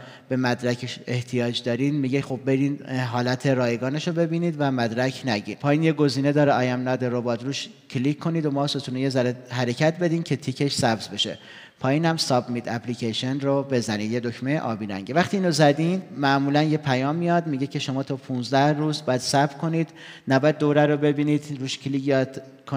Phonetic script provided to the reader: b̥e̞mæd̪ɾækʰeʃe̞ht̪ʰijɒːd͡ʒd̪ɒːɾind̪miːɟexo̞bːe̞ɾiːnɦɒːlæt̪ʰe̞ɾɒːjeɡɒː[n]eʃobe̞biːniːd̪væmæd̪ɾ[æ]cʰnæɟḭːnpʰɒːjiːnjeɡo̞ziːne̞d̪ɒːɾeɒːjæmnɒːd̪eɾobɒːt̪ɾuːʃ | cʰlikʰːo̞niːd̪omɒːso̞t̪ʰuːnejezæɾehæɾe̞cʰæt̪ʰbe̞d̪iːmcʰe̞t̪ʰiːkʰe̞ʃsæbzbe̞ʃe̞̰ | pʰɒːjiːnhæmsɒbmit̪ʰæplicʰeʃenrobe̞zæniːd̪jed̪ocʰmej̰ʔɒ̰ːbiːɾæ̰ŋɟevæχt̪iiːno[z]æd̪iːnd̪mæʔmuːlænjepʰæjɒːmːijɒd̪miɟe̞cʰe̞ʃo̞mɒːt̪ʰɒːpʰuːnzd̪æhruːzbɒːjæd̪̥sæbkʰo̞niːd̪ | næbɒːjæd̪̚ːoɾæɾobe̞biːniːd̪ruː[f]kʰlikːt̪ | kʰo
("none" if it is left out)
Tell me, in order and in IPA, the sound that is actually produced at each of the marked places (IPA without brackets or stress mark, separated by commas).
n, æ, z, ʃ